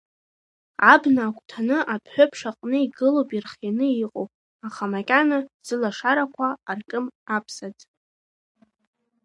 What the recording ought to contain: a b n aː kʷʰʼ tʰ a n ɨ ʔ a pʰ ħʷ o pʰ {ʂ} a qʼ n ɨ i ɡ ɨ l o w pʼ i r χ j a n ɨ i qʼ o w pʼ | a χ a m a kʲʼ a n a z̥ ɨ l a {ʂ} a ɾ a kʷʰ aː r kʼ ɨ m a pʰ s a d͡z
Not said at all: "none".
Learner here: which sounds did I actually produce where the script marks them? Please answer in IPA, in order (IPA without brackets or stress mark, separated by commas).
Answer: ʂ, ʂ